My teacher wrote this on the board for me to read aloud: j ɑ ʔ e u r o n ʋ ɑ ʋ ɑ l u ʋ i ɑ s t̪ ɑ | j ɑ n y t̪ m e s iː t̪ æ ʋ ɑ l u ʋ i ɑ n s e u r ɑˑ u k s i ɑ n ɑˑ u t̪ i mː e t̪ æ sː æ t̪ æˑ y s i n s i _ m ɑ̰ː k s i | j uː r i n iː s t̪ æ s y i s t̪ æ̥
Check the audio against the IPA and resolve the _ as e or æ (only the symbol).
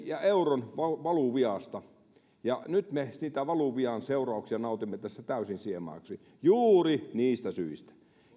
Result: e